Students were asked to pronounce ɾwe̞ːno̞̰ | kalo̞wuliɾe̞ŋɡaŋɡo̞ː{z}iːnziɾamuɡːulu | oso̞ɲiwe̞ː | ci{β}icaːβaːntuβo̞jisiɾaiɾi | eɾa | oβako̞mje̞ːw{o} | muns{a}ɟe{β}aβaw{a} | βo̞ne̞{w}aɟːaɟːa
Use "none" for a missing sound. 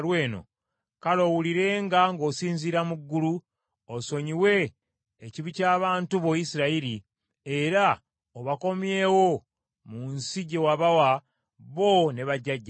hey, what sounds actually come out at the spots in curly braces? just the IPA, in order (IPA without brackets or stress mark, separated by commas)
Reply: s, β, o, i, w, a, β